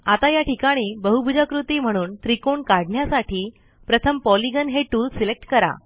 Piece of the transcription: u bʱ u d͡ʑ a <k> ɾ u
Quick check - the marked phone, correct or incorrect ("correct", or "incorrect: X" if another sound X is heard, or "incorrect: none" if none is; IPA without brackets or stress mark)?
correct